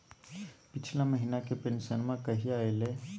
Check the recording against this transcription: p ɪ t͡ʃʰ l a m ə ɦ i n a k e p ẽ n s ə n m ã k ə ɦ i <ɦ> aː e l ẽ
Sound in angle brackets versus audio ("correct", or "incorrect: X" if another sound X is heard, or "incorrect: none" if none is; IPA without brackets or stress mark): incorrect: none